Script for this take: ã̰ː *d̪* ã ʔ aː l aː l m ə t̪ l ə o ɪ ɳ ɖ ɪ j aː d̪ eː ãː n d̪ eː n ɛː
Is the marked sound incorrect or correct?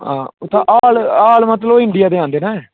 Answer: incorrect